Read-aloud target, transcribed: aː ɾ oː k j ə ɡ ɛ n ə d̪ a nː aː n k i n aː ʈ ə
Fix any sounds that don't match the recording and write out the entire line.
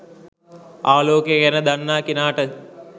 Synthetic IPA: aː l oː k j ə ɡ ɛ n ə d̪ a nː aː k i n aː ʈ ə